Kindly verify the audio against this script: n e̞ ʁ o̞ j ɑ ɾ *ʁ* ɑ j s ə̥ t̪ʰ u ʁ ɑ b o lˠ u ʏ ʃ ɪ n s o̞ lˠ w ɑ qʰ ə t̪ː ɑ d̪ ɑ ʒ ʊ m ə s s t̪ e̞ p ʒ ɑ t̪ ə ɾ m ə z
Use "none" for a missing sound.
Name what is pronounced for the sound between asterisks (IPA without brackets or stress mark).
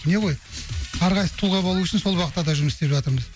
ʁ